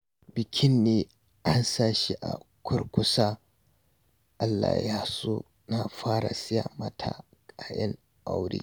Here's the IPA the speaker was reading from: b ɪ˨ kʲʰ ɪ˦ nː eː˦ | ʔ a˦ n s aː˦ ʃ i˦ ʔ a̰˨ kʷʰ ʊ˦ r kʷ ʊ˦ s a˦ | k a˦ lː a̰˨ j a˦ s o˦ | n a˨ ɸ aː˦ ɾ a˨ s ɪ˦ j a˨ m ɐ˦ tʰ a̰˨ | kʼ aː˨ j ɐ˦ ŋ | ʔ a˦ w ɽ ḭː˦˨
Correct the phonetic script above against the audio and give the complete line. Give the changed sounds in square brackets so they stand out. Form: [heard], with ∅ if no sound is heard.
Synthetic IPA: b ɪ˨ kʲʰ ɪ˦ nː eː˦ | ʔ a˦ n s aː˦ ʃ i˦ ʔ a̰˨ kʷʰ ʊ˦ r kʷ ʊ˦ s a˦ | [ʔ] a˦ lː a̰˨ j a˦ s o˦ | n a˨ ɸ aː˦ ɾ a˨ s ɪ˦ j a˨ m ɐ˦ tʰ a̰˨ | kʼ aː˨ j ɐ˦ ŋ | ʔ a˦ w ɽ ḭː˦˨